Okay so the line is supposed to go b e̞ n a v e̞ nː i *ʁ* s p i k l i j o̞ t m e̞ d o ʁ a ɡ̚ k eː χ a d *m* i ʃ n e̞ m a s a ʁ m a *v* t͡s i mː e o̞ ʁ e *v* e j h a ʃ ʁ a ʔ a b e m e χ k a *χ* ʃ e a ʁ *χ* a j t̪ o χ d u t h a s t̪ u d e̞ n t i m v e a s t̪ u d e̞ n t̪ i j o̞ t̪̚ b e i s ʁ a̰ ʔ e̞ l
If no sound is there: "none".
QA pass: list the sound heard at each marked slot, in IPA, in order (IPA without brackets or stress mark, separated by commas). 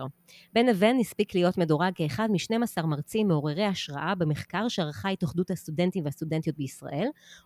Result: none, m, ʁ, ʁ, ʁ, χ